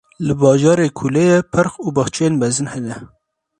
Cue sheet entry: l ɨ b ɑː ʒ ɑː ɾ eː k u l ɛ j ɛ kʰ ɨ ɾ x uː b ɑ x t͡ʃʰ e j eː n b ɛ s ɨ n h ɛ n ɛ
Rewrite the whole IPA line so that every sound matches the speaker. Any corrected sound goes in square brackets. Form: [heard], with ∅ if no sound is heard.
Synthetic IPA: l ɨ b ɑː ʒ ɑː ɾ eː [kʰ] u l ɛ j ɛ [pʰ] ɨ ɾ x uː b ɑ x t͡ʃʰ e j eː n b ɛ [z] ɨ n h ɛ n ɛ

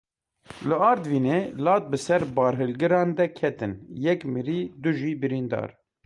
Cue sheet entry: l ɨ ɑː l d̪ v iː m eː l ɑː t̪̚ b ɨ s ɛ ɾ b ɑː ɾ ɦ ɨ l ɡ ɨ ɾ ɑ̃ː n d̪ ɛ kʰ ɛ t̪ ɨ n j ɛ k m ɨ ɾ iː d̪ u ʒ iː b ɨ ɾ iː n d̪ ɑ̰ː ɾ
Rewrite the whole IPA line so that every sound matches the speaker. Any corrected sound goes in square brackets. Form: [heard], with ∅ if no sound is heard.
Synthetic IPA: l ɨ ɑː [ɾ] d̪ v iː [n] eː l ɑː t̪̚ b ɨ s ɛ ɾ b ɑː ɾ ɦ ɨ l ɡ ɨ ɾ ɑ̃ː n d̪ ɛ kʰ ɛ t̪ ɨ n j ɛ k m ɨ ɾ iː d̪ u ʒ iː b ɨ ɾ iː n d̪ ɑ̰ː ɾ

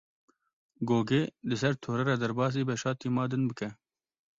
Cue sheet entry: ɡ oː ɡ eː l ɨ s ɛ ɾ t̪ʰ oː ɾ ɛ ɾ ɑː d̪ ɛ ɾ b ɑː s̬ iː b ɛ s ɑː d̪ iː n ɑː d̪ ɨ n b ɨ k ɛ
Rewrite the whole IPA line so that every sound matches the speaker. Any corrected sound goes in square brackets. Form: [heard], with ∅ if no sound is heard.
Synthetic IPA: ɡ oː ɡ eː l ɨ s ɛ ɾ t̪ʰ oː ɾ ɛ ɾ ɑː d̪ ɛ ɾ b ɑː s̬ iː b ɛ [ʃ] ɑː [t̪] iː [m] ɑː d̪ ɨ n b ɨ k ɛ

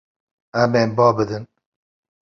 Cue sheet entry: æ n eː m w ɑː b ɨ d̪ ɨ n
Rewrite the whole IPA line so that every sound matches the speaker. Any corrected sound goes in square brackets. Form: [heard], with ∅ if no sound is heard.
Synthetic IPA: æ [m] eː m [b] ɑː b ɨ d̪ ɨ n

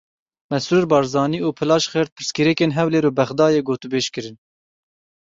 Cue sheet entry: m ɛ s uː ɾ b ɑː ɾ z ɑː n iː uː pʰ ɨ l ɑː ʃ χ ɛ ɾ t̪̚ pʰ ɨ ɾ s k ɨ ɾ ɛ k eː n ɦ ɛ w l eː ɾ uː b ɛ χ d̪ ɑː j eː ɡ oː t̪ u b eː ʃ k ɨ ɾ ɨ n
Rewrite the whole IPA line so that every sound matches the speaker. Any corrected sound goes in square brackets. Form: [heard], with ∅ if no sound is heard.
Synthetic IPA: m ɛ s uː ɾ b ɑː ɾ z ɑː n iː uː pʰ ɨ l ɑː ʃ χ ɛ ɾ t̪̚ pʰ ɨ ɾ s k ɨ ɾ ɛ k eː n ɦ ɛ w l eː ɾ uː b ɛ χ d̪ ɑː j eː ɡ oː t̪ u b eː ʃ k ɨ ɾ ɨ n

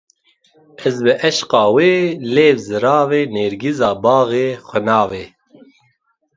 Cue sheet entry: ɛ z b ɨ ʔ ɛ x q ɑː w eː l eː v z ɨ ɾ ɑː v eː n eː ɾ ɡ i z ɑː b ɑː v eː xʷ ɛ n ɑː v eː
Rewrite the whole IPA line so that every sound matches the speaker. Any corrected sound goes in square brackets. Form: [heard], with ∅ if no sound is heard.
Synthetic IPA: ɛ z b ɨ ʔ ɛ [ʃ] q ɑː w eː l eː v z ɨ ɾ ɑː v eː n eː ɾ ɡ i z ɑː b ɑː [ɣ] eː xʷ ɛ n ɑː v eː

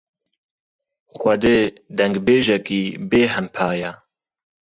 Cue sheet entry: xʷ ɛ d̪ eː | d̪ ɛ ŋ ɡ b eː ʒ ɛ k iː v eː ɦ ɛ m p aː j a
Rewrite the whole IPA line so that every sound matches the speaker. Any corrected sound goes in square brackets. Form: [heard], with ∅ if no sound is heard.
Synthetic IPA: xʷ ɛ d̪ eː | d̪ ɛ ŋ ɡ b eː ʒ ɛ k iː [b] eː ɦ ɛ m [pʰ] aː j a

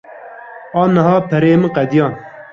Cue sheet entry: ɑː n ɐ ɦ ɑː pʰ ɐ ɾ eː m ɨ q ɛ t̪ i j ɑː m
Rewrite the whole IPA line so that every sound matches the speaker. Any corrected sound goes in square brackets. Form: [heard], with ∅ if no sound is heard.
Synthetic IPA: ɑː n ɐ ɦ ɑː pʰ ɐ ɾ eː m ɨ q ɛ [d̪] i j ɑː [n]

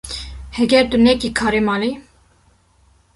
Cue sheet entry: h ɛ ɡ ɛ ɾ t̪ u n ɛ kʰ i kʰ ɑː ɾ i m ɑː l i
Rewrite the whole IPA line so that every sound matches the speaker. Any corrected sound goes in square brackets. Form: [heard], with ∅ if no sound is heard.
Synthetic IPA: h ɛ ɡ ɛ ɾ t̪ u n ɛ [k] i kʰ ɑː ɾ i m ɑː l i

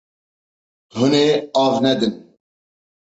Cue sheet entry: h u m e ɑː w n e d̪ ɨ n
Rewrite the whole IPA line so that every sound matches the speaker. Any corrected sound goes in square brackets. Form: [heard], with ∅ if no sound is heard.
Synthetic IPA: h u [n] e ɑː [v] n [ɛ] d̪ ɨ n

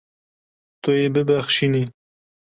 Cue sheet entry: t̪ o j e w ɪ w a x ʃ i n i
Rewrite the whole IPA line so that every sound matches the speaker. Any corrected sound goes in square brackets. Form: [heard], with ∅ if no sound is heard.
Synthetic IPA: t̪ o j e [b] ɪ [b] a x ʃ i n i

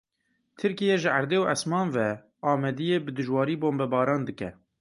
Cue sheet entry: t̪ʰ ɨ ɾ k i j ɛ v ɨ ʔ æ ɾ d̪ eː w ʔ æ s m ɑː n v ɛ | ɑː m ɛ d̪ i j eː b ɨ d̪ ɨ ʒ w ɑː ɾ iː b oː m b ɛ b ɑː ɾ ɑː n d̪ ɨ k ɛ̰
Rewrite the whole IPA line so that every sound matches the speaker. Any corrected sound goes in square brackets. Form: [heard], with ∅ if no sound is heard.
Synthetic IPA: t̪ʰ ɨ ɾ k i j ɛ [ʒ] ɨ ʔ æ ɾ d̪ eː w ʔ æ s m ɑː n v ɛ | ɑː m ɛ d̪ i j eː b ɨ d̪ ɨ ʒ w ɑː ɾ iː b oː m b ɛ b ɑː ɾ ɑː n d̪ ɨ k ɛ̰

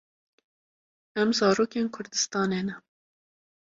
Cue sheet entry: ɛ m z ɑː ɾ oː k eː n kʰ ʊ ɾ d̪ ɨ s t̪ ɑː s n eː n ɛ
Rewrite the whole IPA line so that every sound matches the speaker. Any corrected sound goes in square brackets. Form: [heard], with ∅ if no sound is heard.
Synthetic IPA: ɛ m z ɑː ɾ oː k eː n kʰ ʊ ɾ d̪ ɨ s t̪ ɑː [∅] n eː n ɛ

